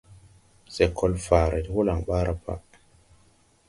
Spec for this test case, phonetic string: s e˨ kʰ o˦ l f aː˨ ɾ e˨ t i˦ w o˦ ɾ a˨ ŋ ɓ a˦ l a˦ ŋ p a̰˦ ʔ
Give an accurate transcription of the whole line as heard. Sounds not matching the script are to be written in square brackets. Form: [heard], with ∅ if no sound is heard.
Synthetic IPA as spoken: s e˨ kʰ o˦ l f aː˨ ɾ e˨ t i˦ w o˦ [l] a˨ ŋ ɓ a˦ [ɾ] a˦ [∅] p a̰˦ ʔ